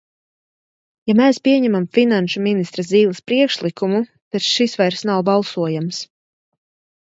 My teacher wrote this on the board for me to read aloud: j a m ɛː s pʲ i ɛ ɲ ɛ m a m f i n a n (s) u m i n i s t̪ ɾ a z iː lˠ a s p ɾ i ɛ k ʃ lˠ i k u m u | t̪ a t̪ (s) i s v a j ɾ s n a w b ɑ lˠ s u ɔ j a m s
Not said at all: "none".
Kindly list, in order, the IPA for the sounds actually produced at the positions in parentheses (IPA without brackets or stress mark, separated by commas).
ʃ, ʃ